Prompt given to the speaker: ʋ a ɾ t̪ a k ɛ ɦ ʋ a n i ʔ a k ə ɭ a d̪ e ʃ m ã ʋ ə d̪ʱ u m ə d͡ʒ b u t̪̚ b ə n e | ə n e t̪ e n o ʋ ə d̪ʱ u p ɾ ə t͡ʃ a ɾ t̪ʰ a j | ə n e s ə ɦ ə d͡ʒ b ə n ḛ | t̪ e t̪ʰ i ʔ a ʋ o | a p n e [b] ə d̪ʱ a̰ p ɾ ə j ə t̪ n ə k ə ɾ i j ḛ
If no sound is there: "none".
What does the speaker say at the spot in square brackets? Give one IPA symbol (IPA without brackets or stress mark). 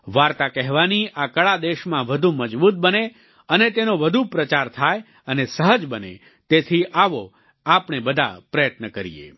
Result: b